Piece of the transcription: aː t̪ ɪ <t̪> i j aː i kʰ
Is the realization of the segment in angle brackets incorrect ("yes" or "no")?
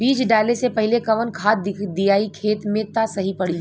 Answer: yes